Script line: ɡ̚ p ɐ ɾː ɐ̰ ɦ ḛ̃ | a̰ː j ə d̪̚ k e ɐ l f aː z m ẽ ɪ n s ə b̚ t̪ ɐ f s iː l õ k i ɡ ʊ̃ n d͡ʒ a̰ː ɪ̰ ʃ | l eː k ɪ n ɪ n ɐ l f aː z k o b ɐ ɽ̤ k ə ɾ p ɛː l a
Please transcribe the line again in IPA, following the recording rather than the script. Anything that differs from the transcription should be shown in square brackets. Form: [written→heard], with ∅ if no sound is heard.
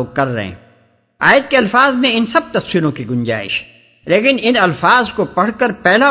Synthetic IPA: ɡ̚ [p→k] ɐ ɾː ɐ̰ ɦ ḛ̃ | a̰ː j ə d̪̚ k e ɐ l f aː z m ẽ ɪ n s [ə→ɐ] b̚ t̪ ɐ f s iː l õ k i ɡ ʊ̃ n d͡ʒ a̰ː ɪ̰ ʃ | l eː k ɪ n ɪ n ɐ l f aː z k o [b→p] ɐ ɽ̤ k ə ɾ p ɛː l a